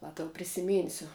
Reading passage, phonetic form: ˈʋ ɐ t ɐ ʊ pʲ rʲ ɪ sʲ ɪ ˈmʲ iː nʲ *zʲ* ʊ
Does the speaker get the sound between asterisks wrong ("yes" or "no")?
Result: yes